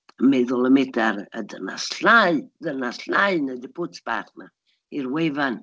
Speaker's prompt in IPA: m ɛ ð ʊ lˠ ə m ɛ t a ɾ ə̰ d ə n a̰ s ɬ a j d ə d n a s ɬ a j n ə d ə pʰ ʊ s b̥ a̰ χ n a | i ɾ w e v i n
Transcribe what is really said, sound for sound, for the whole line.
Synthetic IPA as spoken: m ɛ ð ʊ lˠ ə m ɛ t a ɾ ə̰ d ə n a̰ s ɬ a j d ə n a s ɬ a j n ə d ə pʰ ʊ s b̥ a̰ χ n a | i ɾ w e v a n